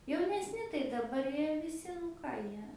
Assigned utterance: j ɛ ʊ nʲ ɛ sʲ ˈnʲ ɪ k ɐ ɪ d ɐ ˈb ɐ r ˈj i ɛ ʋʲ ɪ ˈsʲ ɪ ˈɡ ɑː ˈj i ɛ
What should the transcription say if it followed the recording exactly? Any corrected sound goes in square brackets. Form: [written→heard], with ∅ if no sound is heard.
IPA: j ɛ ʊ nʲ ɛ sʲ ˈnʲ ɪ [k→t] ɐ ɪ d ɐ ˈb ɐ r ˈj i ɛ ʋʲ ɪ ˈsʲ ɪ [ˈɡ→ˈk] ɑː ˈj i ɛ